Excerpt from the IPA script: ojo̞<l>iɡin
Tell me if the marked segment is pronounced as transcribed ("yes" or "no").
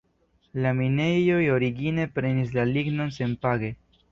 no